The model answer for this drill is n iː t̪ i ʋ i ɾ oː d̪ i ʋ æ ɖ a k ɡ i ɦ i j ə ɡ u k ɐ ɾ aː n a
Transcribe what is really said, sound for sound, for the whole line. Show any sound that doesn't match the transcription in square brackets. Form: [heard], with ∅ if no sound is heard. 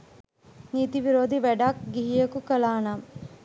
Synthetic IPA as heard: n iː t̪ i ʋ i ɾ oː d̪ i ʋ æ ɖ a k ɡ i ɦ i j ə [k] u k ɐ [l] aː n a